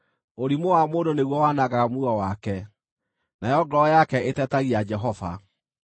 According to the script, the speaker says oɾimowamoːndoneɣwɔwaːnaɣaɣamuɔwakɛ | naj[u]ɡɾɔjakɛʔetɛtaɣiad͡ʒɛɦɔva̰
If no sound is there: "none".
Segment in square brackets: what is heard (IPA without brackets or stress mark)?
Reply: ɔ